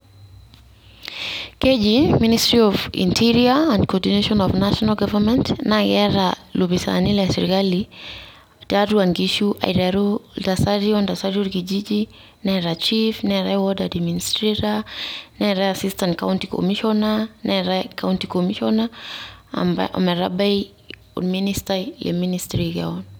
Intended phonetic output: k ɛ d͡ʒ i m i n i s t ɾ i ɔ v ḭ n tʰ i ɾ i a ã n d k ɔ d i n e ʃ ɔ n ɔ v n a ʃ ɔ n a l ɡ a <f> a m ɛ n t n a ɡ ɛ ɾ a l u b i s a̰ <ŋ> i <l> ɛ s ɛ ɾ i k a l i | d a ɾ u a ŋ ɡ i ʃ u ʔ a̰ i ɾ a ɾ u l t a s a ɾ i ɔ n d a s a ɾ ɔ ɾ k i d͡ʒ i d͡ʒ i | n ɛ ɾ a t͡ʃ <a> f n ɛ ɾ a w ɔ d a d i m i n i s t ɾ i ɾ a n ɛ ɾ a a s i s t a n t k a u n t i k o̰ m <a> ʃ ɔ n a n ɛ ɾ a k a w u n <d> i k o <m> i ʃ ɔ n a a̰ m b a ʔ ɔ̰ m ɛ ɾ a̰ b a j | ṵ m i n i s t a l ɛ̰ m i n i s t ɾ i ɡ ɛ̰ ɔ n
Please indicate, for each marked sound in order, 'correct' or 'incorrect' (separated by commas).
incorrect, incorrect, correct, incorrect, incorrect, incorrect, correct